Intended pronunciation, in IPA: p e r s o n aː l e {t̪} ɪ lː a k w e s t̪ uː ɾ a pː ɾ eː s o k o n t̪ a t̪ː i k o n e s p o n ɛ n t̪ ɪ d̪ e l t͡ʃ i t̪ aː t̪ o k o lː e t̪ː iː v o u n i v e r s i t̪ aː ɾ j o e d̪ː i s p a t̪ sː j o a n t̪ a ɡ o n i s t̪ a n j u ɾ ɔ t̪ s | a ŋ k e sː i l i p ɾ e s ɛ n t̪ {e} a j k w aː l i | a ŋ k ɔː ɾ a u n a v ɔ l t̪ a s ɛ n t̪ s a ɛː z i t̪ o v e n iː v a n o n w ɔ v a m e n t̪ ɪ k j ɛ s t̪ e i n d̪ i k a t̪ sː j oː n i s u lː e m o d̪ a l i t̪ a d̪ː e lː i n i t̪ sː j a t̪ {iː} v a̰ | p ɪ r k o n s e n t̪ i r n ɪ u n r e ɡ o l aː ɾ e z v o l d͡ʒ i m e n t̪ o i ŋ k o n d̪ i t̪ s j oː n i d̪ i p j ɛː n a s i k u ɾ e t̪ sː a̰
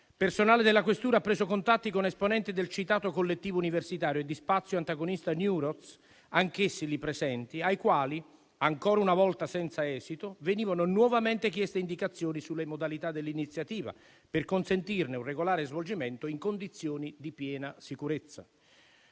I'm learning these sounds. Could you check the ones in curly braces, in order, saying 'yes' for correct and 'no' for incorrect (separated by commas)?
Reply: no, no, yes